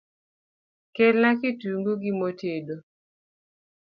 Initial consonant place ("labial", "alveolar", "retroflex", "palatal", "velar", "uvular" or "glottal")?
velar